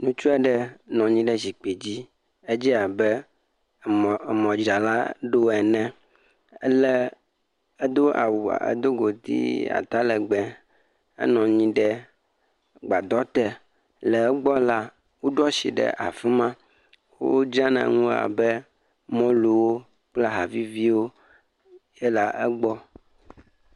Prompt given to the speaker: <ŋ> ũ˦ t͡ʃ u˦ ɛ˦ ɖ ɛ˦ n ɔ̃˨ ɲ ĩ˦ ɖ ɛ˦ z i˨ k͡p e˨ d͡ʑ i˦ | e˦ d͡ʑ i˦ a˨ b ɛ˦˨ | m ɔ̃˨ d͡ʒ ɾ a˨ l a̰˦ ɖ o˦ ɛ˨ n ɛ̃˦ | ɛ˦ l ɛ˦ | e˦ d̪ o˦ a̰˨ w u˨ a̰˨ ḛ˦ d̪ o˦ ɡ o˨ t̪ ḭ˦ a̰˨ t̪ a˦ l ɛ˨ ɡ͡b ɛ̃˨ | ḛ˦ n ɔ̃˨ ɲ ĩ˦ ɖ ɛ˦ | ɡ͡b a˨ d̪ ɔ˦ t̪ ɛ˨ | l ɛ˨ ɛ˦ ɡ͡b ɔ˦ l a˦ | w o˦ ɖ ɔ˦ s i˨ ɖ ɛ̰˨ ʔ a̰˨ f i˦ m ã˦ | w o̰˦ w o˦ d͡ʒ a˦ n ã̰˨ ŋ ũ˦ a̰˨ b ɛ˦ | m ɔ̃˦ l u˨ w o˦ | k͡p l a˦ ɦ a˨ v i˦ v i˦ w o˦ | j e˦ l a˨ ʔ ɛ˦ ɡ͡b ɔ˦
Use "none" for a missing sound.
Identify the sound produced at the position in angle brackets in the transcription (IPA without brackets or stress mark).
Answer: n